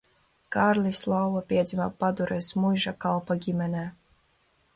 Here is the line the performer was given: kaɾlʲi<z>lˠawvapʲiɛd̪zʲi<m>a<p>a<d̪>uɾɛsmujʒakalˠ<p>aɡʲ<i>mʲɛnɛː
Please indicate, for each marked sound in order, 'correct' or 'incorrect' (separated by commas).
incorrect, correct, correct, correct, correct, correct